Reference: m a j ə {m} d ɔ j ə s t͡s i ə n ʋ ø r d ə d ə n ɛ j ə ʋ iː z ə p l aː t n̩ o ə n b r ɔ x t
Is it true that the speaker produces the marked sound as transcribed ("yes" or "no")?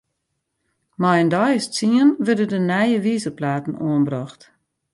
no